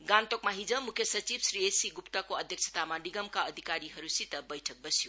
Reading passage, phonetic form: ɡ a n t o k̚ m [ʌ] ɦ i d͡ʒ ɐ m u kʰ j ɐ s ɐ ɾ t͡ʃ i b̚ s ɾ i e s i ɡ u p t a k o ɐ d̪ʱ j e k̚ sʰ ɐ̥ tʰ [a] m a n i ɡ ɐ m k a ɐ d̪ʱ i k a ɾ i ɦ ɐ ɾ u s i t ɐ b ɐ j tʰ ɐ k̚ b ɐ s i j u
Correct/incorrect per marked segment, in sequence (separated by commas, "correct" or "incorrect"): incorrect, correct